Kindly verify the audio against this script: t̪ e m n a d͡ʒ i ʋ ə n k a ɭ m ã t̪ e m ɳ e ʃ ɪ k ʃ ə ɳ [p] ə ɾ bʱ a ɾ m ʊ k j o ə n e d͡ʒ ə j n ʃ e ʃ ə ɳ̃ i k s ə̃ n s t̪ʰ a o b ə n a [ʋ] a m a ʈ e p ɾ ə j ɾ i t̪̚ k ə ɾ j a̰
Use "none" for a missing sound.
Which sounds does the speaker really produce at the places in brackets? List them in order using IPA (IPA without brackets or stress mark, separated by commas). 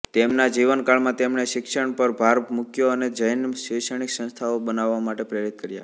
p, ʋː